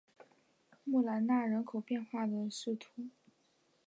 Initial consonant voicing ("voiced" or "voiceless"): voiced